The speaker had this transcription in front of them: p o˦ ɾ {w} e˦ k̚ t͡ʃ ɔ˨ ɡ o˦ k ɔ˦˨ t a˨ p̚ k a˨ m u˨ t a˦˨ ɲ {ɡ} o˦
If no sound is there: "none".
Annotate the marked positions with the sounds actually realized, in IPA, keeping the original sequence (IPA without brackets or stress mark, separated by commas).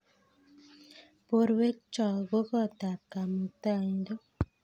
w, d